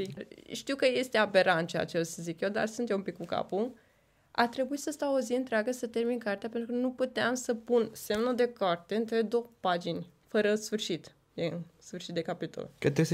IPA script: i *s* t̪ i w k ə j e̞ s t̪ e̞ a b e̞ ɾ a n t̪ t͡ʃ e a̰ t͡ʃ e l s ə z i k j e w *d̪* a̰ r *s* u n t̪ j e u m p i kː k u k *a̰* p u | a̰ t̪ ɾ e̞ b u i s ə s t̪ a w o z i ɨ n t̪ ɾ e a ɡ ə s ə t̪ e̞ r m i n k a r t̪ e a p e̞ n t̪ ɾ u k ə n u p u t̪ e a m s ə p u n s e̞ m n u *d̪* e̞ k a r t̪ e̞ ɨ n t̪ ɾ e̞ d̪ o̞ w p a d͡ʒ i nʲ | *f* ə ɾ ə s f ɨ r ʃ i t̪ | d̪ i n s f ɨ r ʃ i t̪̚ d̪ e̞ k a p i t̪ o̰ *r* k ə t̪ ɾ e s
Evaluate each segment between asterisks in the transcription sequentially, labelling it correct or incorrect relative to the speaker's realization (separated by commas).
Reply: incorrect, correct, correct, correct, correct, correct, incorrect